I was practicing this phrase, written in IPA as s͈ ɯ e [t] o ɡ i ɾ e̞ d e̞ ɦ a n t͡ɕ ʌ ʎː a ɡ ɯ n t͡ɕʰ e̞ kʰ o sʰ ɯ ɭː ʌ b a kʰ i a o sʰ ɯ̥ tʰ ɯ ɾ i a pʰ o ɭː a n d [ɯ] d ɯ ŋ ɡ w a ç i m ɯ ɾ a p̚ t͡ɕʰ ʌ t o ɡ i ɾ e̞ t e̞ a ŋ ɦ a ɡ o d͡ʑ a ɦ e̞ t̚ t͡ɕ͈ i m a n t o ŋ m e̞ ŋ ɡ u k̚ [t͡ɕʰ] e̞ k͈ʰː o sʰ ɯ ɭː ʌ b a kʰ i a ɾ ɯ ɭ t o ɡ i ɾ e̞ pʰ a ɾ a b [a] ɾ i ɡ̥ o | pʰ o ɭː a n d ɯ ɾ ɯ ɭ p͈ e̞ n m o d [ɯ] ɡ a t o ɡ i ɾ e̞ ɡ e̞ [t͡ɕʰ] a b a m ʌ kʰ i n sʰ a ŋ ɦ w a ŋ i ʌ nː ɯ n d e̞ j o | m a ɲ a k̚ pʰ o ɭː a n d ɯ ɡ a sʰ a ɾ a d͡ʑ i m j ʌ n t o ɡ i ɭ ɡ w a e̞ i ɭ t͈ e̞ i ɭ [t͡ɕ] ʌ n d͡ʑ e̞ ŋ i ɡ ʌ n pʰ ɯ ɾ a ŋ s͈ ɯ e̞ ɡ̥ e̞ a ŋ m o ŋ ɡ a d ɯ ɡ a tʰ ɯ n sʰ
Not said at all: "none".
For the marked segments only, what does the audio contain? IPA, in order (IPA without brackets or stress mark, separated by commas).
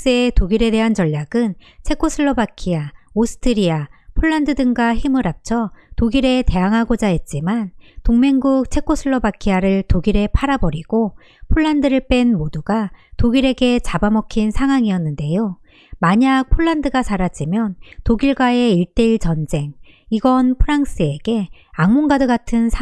t, ɯ, t͡ɕʰ, ʌ, u, t͡ɕ, t͡ɕ